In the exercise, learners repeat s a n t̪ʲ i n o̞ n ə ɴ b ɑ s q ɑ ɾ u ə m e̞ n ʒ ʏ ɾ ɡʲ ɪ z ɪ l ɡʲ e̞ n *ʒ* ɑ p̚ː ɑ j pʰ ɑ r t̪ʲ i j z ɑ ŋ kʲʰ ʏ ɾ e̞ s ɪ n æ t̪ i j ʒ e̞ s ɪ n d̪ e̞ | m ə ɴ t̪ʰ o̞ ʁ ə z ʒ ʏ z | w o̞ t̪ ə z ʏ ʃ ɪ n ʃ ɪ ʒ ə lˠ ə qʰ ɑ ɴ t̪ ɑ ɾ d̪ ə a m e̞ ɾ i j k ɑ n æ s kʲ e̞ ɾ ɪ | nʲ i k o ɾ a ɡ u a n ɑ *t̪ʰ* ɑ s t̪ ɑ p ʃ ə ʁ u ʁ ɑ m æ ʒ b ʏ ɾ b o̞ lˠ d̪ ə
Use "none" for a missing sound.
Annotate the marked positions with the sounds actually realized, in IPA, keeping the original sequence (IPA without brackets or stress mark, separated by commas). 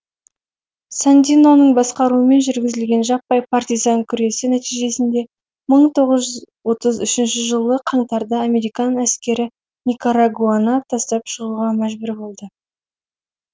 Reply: ʒ, t̪ʰ